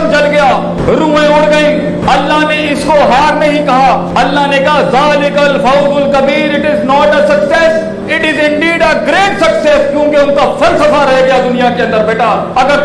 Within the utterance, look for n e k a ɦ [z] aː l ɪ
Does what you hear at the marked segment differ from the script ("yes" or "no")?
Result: no